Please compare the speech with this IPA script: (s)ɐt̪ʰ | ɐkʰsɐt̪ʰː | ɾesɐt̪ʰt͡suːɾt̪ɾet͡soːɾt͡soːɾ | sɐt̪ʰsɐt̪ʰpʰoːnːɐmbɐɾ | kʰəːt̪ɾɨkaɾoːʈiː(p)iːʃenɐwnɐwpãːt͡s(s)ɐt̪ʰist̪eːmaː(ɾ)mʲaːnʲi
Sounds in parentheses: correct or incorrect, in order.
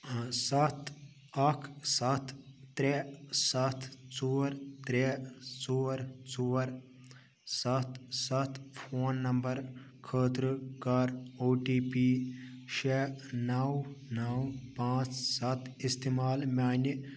correct, correct, correct, incorrect: l

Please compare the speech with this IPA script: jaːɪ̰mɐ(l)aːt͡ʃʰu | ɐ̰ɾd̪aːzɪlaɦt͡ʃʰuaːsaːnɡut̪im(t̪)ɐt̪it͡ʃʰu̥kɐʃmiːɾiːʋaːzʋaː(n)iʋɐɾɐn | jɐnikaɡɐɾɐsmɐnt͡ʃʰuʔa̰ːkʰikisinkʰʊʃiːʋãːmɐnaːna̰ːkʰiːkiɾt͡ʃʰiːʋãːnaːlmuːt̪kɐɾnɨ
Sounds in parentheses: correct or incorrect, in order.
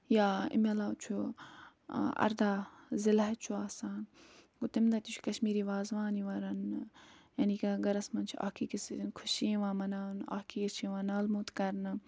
correct, incorrect: d̪, correct

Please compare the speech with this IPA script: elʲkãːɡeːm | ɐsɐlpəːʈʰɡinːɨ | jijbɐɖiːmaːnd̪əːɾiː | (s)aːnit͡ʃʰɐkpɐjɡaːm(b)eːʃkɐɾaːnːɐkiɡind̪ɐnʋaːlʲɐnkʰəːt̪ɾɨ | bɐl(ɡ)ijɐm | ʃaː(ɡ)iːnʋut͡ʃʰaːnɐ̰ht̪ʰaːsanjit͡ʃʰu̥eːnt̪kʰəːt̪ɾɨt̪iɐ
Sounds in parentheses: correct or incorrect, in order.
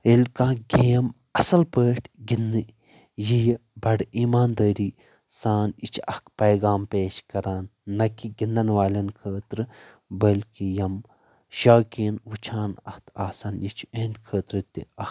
correct, incorrect: p, incorrect: k, incorrect: k

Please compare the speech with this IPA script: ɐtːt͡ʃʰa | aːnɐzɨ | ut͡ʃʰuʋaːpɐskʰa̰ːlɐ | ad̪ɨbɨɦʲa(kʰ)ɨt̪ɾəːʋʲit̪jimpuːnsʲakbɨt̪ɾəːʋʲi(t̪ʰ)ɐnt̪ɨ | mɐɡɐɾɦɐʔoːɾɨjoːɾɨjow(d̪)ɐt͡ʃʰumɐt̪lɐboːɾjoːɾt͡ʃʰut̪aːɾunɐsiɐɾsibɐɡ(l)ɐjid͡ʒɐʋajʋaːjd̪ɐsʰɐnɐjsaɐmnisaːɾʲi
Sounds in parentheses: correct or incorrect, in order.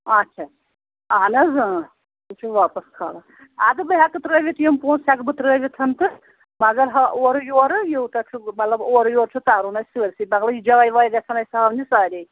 incorrect: k, correct, incorrect: t̪, correct

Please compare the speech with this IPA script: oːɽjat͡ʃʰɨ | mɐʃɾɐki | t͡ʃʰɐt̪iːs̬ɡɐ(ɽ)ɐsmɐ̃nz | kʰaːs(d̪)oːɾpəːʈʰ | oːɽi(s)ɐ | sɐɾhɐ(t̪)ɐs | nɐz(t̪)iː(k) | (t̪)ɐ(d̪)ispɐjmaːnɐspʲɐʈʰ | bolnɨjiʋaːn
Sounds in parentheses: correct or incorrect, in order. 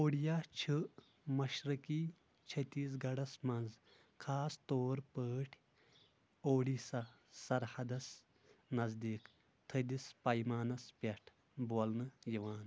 correct, incorrect: t̪, correct, incorrect: d̪, incorrect: d̪, correct, incorrect: t̪ʰ, correct

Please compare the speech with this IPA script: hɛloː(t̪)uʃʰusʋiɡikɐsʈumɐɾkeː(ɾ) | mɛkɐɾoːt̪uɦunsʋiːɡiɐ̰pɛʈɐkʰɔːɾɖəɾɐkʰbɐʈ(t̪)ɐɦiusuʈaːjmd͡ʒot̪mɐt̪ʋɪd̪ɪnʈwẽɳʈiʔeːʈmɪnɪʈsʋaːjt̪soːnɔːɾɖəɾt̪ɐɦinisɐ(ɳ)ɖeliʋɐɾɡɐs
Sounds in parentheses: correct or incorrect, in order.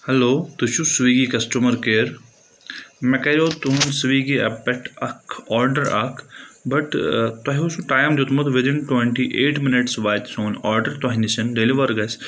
correct, correct, correct, incorrect: n

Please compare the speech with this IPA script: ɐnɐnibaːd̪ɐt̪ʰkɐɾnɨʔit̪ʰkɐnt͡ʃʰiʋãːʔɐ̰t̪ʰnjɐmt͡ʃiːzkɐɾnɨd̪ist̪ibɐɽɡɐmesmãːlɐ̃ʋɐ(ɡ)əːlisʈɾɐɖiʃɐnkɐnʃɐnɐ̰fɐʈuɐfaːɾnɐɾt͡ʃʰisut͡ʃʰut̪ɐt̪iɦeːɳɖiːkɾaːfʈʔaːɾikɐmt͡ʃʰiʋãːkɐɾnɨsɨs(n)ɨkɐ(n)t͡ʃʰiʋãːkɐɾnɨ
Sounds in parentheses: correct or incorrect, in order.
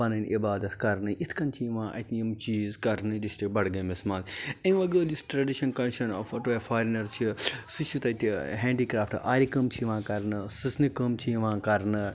correct, correct, incorrect: m

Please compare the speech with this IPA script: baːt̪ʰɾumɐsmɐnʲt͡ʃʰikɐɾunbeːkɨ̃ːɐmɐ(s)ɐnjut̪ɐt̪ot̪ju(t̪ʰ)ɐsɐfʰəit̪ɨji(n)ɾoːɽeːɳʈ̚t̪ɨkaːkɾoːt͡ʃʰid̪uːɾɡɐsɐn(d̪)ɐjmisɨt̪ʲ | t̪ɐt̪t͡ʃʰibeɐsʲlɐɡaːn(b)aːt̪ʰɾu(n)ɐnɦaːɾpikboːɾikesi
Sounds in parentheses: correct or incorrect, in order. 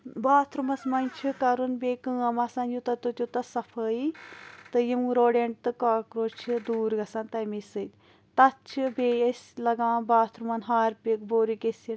correct, incorrect: t̪, incorrect: m, incorrect: t̪, correct, incorrect: m

